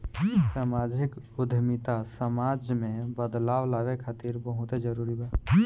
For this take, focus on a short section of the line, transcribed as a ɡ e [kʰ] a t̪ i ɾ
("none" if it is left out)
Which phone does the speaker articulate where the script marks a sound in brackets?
kʰ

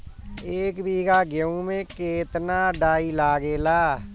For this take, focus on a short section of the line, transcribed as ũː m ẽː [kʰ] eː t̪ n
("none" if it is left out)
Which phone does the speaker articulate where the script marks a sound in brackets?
k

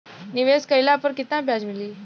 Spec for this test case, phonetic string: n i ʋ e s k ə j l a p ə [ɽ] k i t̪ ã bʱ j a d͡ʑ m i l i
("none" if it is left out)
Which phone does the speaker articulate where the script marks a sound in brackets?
ɾ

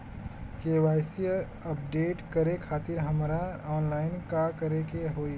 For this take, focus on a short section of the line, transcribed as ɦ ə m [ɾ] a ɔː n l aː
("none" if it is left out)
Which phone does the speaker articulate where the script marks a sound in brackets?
ɾ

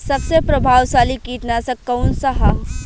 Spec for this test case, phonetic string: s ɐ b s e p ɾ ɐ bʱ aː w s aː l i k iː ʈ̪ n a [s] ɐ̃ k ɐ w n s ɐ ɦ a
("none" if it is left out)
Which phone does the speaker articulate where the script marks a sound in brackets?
s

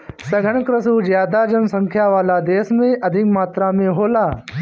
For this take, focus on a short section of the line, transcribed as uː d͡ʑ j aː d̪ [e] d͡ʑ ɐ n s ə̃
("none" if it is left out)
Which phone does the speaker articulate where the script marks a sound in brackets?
a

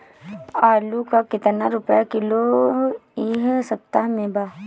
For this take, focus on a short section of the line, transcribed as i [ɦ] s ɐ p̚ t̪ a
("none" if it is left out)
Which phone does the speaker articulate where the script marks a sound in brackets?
ɦ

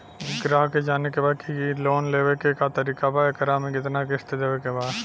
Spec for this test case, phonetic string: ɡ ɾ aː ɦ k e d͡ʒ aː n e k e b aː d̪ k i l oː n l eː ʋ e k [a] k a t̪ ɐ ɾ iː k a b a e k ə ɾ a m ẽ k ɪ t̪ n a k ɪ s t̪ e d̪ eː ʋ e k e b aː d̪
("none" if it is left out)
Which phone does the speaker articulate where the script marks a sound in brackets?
e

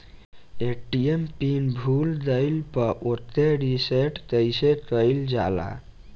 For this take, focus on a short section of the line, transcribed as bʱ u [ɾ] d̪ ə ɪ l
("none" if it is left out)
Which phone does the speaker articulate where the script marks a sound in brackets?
l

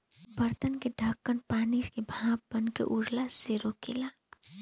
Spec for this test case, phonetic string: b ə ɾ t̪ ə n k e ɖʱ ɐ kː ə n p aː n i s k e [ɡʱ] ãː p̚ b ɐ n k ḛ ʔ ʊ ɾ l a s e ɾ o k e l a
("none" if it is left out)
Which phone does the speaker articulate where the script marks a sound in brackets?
bʱ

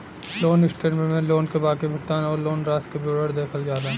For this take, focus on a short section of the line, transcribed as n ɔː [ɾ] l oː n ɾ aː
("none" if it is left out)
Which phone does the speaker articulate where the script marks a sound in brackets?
ɾ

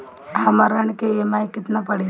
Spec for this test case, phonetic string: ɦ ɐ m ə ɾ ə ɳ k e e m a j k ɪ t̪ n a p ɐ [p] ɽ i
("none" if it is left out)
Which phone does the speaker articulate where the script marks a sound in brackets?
none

